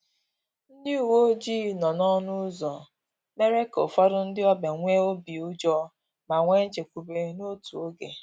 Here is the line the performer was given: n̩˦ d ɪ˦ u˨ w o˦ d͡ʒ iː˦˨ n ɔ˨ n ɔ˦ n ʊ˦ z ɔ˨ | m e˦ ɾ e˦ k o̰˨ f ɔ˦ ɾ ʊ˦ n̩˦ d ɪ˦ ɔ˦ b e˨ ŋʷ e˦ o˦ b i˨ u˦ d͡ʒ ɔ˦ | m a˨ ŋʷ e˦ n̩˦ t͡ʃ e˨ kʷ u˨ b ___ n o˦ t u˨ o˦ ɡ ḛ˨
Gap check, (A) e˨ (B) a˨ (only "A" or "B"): A